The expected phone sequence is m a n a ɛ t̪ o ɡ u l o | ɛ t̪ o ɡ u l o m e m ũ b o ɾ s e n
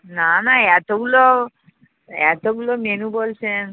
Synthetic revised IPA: n a n a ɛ t̪ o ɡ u l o | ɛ t̪ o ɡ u l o m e n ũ b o l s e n